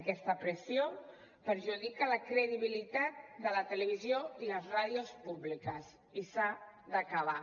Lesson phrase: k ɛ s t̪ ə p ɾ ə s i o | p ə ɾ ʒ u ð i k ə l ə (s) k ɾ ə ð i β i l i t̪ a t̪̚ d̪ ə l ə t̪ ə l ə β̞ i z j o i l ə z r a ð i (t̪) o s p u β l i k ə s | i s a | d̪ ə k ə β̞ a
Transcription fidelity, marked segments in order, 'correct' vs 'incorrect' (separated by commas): incorrect, incorrect